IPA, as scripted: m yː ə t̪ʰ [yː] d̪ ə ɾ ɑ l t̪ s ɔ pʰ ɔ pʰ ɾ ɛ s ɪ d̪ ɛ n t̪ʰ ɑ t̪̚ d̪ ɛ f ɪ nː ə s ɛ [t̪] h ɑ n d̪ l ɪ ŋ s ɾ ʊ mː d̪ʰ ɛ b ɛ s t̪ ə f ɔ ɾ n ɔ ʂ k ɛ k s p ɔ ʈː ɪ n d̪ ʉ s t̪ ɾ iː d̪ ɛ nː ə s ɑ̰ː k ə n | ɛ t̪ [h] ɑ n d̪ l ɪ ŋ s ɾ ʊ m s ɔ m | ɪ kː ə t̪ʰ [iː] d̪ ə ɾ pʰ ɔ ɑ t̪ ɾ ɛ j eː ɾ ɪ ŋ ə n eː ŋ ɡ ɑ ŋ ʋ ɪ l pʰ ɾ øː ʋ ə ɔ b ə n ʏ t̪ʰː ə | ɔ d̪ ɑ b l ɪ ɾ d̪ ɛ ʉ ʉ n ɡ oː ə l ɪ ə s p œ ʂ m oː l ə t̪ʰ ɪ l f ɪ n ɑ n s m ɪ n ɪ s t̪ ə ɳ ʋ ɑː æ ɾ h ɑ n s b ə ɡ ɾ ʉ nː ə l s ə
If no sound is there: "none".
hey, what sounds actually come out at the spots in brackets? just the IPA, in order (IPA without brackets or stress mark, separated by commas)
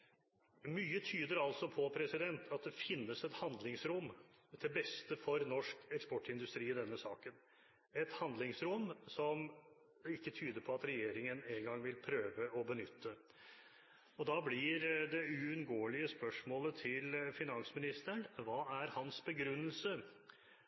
yː, t̪, h, yː